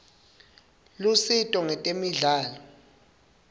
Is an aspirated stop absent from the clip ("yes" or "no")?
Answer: yes